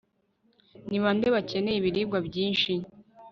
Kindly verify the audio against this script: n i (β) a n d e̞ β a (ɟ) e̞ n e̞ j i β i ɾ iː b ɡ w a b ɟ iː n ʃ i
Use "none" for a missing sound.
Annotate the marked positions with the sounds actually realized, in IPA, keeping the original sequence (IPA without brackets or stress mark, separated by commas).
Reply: β, c